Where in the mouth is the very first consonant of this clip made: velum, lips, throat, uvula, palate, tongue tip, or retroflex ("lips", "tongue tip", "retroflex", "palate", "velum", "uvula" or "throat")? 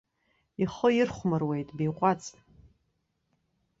uvula